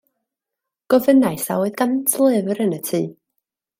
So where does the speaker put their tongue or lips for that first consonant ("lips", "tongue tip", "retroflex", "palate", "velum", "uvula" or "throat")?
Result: velum